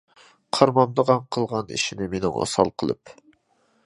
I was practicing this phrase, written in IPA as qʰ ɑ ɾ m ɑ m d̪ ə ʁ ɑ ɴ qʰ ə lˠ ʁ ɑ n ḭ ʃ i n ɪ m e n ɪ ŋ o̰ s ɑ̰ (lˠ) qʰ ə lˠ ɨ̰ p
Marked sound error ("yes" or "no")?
no